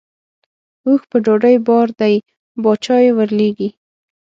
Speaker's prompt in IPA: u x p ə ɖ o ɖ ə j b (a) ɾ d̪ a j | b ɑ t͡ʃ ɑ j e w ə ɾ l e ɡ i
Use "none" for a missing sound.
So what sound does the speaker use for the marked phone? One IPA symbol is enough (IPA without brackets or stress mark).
ɑ